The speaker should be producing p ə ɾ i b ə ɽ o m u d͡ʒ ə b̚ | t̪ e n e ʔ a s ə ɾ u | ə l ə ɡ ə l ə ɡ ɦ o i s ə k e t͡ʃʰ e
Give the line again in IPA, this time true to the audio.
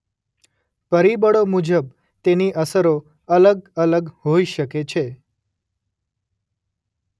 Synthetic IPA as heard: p ə ɾ i b ə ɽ o m u d͡ʒ ə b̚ | t̪ e n i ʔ ə s ə ɾ o | ə l ə ɡ ə l ə ɡ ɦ o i ʃ ə k e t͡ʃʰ e